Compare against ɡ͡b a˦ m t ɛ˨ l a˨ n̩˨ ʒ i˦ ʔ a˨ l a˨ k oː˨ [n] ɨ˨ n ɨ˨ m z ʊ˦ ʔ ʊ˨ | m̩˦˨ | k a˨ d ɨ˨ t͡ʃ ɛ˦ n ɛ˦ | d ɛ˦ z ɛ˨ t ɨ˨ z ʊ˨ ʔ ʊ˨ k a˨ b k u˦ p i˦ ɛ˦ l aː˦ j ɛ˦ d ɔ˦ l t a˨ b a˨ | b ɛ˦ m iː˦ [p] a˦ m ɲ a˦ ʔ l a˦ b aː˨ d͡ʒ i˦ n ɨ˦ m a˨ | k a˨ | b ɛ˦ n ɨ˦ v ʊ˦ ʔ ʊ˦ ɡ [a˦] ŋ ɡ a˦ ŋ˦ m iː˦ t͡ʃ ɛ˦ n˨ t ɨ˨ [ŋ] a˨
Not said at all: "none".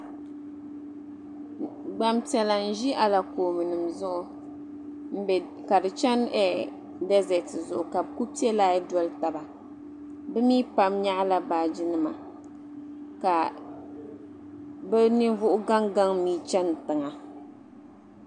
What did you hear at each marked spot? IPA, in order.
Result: m, p, a˦, ŋ

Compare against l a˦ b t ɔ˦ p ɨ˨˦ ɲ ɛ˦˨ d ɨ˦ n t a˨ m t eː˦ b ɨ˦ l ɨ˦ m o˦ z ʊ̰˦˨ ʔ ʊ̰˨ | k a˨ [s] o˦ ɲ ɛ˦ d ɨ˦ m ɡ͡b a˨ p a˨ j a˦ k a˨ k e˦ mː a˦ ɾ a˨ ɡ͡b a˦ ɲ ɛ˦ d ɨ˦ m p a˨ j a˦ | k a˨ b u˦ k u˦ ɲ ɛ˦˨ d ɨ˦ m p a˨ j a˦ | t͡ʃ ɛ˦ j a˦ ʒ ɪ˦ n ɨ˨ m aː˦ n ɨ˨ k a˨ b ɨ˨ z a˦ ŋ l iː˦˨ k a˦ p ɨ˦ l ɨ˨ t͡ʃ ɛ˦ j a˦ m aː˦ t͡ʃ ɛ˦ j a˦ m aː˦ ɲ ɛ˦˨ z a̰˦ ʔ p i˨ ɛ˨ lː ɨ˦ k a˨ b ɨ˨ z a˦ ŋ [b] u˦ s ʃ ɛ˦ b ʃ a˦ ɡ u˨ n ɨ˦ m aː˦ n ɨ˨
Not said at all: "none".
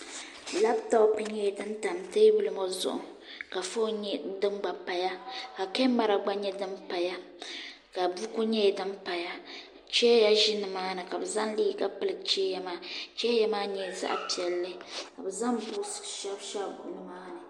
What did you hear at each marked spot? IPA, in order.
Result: f, b

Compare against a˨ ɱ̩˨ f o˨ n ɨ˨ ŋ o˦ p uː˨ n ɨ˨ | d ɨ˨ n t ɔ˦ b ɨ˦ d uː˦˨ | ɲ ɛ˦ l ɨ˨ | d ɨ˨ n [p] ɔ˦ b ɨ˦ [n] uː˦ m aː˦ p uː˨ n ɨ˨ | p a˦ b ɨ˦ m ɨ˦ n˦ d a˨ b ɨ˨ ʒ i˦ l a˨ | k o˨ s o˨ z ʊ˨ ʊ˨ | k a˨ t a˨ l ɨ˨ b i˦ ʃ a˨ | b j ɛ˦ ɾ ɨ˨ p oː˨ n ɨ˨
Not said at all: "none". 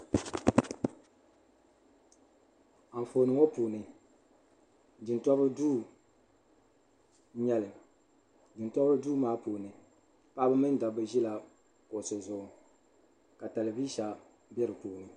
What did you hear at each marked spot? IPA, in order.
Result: t, d

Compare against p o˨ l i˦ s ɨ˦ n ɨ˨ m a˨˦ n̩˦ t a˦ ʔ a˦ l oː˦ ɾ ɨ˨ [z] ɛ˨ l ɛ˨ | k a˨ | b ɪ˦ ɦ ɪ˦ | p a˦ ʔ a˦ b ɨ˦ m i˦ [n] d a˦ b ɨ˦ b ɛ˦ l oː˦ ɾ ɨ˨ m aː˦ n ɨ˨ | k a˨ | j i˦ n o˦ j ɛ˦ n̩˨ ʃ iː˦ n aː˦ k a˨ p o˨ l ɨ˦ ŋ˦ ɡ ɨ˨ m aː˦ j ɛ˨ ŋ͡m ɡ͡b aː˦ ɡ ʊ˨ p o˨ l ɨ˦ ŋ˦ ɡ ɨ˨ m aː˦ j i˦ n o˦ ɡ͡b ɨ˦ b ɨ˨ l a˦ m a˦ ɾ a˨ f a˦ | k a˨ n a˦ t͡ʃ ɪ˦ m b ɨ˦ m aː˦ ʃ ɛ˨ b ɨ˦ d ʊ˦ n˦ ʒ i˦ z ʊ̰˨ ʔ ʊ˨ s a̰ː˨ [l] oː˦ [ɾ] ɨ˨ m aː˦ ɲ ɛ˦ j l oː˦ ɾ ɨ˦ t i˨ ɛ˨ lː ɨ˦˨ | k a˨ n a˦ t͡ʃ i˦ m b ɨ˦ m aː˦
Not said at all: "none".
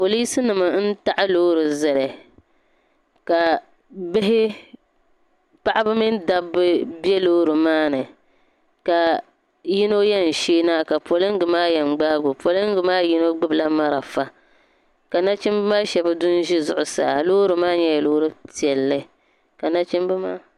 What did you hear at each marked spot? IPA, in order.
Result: z, n, l, ɾ

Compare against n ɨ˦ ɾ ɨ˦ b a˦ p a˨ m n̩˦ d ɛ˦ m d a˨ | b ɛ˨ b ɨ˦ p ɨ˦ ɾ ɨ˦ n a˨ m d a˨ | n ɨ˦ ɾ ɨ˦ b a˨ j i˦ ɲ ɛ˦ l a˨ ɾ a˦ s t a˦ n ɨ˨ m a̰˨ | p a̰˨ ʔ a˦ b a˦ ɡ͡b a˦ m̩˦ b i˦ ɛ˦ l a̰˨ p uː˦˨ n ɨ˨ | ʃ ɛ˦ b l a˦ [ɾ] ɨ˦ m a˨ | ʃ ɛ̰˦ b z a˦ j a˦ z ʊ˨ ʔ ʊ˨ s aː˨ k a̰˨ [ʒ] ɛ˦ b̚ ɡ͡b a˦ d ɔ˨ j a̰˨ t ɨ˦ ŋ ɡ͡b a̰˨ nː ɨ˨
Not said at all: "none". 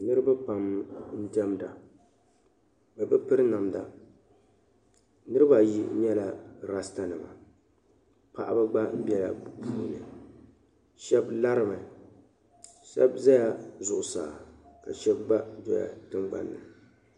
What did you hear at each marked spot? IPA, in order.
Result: ɾ, ʃ

